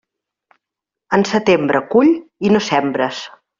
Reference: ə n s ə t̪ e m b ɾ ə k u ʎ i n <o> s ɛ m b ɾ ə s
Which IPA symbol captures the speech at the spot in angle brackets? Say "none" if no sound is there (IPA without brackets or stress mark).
o